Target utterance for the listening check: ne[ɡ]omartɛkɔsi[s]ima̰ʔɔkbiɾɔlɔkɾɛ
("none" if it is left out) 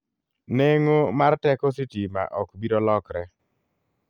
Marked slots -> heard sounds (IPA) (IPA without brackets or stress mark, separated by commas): ŋ, t